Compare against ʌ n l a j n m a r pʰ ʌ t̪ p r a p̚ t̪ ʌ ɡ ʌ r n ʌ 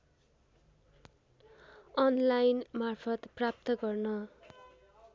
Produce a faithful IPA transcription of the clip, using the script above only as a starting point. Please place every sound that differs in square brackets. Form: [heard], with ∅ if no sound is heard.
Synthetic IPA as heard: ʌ n l a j n m a r pʰ ʌ t̪ p r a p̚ t̪ ʌ ɡ ʌ r n ʌ